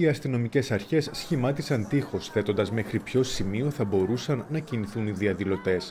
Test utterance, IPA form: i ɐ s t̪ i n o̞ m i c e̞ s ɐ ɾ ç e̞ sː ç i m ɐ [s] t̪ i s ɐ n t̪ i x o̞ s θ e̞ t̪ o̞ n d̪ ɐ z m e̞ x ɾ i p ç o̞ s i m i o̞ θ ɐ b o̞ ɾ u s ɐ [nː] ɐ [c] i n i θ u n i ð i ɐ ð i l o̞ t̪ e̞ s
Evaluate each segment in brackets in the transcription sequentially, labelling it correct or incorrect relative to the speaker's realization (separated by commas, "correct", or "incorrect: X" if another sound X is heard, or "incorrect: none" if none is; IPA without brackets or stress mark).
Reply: incorrect: none, correct, correct